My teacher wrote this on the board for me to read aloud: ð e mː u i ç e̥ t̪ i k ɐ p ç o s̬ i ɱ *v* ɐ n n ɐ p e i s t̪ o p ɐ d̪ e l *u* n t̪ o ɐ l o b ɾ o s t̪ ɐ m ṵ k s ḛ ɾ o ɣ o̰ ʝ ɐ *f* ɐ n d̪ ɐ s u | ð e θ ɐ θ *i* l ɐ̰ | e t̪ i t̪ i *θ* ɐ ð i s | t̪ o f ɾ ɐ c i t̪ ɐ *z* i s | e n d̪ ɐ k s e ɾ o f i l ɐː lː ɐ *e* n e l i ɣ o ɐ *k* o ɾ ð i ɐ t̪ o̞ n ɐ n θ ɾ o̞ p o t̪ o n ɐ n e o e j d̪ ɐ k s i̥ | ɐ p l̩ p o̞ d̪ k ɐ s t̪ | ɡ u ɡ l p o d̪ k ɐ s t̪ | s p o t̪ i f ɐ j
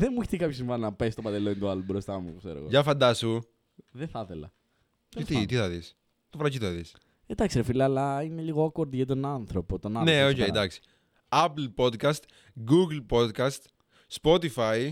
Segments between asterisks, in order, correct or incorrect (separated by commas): correct, incorrect, correct, incorrect, correct, incorrect, incorrect, correct